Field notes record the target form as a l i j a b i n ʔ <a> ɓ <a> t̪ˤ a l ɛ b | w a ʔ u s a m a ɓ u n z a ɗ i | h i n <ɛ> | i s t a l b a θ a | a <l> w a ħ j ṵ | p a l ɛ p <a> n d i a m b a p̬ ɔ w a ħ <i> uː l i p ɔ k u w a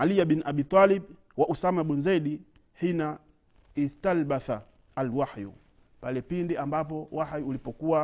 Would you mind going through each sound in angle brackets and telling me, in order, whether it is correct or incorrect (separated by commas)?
correct, incorrect, incorrect, correct, incorrect, incorrect